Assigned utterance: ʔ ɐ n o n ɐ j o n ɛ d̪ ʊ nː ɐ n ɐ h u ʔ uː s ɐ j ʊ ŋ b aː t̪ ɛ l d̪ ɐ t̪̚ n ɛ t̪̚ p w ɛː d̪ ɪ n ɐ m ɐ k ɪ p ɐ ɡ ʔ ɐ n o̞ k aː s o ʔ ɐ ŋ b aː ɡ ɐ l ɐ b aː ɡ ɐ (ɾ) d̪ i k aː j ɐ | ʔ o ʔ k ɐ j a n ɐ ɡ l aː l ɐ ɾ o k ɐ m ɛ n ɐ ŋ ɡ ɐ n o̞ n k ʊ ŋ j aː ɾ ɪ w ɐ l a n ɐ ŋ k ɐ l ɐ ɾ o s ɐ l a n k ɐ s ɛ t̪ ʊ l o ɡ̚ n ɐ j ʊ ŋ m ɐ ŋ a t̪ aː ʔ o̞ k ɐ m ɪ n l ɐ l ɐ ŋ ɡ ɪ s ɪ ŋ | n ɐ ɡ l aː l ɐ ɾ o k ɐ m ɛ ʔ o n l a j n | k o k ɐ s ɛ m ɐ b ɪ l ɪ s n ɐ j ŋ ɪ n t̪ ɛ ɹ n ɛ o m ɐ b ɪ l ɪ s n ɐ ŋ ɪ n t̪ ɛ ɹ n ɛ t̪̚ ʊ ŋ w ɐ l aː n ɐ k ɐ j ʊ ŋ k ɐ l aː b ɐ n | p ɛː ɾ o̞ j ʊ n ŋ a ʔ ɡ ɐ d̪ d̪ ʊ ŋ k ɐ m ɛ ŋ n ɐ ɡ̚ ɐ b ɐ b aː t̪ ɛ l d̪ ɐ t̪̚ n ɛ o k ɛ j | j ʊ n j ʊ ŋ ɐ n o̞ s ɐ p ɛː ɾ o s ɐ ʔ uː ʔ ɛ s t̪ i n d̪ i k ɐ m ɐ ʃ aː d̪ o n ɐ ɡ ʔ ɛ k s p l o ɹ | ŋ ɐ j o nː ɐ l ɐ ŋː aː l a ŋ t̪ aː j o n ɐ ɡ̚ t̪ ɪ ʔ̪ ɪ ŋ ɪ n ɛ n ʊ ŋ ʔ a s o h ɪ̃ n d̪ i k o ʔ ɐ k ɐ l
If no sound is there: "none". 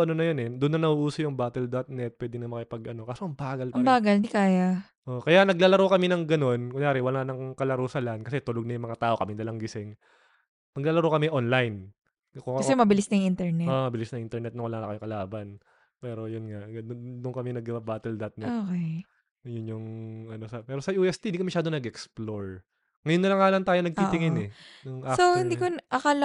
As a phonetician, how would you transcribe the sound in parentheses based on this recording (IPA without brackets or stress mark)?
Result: l